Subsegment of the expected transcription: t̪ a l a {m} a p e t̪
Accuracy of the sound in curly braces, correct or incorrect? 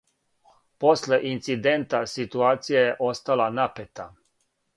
incorrect